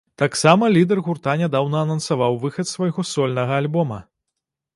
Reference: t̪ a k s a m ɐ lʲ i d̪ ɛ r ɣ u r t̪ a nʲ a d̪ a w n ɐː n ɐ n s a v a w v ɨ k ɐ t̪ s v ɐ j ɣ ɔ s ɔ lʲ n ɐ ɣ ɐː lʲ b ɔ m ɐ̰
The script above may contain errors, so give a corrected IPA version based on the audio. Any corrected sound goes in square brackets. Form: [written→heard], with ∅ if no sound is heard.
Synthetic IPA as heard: t̪ a k s a m ɐ lʲ i d̪ ɛ r ɣ u r t̪ a nʲ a d̪ a w n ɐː n ɐ n s a v a w v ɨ [k→x] ɐ t̪ s v ɐ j ɣ ɔ s ɔ lʲ n ɐ ɣ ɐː lʲ b ɔ m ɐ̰